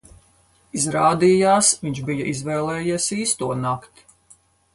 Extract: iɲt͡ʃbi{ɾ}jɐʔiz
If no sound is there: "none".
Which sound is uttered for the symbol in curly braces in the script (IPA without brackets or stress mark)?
none